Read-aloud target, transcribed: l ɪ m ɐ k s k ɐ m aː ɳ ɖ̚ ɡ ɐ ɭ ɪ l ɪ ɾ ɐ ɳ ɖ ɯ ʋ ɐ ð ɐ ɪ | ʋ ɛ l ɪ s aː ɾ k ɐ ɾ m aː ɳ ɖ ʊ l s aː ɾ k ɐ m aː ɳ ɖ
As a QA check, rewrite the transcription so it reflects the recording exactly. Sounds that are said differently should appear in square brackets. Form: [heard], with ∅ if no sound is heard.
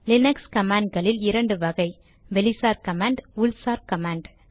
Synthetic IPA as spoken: l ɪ [n] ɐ k s k ɐ m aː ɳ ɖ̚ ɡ ɐ ɭ ɪ l ɪ ɾ ɐ ɳ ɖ ɯ ʋ ɐ [ɣ] ɐ ɪ | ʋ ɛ l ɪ s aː ɾ k ɐ [∅] m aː ɳ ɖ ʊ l s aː ɾ k ɐ m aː ɳ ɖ